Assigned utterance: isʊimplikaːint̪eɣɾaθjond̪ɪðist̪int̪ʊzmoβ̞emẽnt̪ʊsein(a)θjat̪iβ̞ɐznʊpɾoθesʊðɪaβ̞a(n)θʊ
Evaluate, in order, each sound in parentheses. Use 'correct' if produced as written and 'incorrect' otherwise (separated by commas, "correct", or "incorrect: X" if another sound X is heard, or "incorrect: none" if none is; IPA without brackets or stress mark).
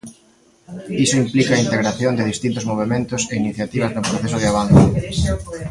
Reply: incorrect: i, correct